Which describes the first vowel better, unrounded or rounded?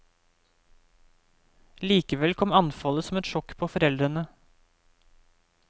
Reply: unrounded